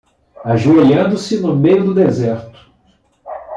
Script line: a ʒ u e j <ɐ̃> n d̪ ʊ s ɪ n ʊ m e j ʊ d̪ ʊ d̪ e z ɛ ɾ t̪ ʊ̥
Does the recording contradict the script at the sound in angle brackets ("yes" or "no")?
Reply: no